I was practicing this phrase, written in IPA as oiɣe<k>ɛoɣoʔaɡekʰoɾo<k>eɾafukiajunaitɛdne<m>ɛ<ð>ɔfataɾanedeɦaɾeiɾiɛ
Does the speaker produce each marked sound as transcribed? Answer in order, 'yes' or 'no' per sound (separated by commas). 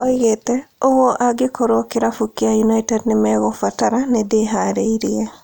no, yes, yes, no